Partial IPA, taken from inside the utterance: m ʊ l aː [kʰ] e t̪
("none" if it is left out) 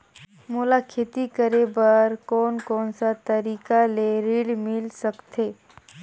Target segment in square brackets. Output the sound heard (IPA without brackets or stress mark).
kʰ